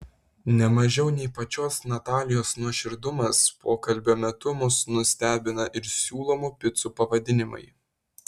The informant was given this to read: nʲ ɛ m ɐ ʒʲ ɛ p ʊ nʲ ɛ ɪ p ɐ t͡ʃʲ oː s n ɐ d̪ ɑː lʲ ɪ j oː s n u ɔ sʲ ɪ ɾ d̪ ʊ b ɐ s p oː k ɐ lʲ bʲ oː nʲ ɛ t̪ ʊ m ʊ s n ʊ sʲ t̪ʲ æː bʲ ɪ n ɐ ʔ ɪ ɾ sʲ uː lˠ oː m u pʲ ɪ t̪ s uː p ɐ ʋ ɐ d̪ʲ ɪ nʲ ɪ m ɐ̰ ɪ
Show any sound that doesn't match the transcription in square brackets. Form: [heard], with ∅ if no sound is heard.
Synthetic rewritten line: nʲ ɛ m ɐ ʒʲ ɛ [∅] ʊ nʲ ɛ ɪ p ɐ t͡ʃʲ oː s n ɐ [t̪] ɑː lʲ ɪ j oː s n u ɔ [ʃʲ] ɪ ɾ d̪ ʊ [m] ɐ s p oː k ɐ lʲ bʲ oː [mʲ] ɛ t̪ ʊ m ʊ s n ʊ sʲ t̪ʲ æː bʲ ɪ n ɐ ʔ ɪ ɾ sʲ uː lˠ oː m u pʲ ɪ t̪ s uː p ɐ ʋ ɐ d̪ʲ ɪ nʲ ɪ m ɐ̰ ɪ